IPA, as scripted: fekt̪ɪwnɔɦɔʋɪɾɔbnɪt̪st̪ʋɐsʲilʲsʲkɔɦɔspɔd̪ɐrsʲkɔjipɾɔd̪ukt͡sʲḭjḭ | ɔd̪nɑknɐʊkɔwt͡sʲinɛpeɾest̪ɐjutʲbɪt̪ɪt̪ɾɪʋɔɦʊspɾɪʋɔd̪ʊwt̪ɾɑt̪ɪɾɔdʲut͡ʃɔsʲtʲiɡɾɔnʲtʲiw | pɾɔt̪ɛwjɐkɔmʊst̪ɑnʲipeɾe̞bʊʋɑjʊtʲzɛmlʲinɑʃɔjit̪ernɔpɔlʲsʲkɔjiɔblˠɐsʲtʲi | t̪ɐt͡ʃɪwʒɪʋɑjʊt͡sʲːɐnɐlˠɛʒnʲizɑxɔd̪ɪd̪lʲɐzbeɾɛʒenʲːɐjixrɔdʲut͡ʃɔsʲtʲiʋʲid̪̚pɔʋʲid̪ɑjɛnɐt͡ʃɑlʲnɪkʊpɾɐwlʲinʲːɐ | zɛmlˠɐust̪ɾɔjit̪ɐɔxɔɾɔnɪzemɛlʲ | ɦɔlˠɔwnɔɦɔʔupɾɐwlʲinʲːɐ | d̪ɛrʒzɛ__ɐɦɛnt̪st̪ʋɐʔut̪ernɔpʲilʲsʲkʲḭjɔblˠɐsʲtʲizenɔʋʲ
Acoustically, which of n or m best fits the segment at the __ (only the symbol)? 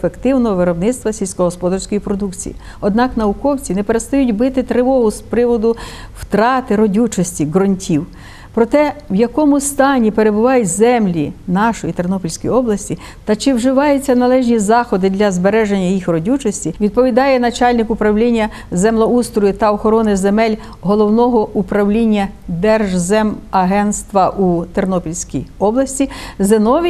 m